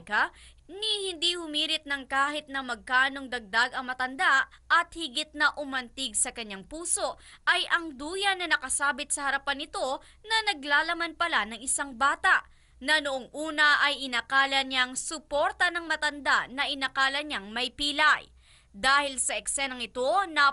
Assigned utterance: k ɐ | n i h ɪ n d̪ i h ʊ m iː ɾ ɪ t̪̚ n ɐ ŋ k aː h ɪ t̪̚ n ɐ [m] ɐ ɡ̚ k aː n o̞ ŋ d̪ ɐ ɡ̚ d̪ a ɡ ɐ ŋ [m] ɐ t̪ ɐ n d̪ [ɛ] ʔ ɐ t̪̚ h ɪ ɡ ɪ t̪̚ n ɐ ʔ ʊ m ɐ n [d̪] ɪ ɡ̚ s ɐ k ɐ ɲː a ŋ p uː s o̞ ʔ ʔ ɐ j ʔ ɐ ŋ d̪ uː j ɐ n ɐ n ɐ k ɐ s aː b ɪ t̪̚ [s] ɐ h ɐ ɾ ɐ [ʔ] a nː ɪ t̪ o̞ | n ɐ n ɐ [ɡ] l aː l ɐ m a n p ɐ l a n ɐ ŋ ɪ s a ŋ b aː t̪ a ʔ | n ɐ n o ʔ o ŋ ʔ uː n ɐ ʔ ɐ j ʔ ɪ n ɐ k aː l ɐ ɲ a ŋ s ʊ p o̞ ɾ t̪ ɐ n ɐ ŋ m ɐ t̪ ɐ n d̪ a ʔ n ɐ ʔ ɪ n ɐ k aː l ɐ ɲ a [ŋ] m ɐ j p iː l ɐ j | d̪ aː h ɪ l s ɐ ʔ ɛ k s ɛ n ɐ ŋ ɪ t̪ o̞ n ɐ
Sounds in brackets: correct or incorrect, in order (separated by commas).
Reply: correct, correct, incorrect, incorrect, correct, incorrect, correct, correct